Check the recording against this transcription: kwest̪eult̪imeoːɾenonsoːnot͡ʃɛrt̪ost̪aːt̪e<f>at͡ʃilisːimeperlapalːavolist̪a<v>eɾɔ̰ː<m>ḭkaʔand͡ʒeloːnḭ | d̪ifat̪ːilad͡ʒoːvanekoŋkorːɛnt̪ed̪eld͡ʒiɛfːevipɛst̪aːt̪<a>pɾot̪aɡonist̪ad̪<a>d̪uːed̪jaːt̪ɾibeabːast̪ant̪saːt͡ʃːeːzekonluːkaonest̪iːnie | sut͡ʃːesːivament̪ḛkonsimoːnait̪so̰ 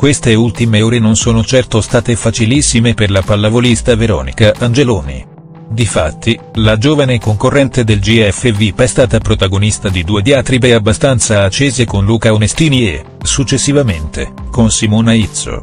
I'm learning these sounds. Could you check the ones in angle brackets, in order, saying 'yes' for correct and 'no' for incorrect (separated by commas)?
yes, yes, no, yes, no